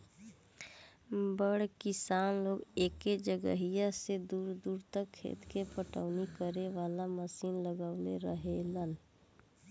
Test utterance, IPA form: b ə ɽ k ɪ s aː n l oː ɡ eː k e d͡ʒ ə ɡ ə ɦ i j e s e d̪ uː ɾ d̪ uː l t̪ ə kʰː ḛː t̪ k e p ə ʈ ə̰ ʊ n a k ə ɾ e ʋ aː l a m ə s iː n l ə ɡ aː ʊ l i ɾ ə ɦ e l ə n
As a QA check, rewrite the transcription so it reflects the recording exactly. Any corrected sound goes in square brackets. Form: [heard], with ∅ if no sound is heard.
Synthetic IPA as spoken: b ə ɽ k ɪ s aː n l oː ɡ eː k e d͡ʒ ə ɡ ə ɦ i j [a] s e d̪ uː ɾ d̪ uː [ɾ] t̪ ə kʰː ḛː t̪ k e p ə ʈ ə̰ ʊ n [i] k ə ɾ e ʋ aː l a m ə s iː n l ə ɡ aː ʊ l [e] ɾ ə ɦ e l ə n